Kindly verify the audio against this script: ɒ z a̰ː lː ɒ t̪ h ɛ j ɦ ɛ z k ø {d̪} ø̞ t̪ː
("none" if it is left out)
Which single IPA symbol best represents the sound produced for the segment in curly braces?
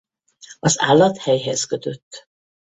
t̪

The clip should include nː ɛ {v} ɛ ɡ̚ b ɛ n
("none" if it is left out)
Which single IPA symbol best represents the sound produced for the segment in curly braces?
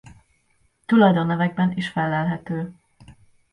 v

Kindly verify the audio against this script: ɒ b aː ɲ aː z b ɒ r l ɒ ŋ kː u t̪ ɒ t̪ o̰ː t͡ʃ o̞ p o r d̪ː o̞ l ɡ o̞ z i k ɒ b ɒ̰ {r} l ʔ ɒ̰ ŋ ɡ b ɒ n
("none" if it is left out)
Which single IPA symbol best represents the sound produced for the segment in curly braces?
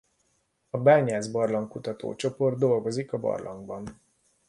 r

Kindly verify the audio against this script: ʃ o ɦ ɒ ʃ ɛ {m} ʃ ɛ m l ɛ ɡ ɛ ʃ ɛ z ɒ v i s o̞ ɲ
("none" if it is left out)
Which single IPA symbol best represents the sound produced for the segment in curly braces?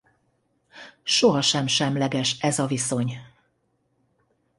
m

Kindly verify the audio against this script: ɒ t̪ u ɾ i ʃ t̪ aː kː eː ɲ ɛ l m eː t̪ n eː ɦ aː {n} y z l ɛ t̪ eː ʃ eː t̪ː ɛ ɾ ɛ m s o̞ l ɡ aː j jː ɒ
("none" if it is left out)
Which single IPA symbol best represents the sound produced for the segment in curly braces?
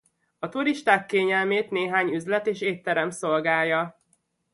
ɲ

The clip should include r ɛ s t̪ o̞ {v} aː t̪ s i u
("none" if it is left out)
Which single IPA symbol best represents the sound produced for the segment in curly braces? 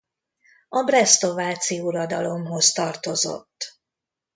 v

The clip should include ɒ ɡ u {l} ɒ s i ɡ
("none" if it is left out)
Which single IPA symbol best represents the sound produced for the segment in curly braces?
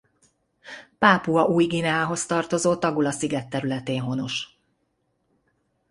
l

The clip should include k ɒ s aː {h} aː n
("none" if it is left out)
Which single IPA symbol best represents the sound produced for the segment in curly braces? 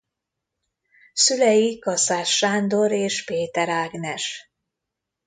ʃ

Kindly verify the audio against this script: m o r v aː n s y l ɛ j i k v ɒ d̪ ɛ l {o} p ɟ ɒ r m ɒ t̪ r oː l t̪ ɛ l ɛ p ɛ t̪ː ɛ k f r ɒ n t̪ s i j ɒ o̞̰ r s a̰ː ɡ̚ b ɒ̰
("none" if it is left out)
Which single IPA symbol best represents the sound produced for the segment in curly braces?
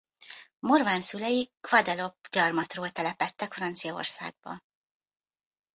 o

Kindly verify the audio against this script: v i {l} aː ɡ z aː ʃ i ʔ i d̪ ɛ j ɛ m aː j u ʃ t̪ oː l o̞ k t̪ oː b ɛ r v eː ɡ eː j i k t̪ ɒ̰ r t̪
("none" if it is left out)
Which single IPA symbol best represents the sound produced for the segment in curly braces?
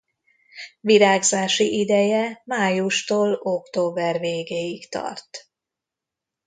ɾ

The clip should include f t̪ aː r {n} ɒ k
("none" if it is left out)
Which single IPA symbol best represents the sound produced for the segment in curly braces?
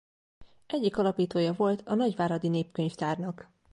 n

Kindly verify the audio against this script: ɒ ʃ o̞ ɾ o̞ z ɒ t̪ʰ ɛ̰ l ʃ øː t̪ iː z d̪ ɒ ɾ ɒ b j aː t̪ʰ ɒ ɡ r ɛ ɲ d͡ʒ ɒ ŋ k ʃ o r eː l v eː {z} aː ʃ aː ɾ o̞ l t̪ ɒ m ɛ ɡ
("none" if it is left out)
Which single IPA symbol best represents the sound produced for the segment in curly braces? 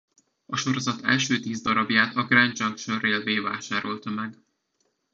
v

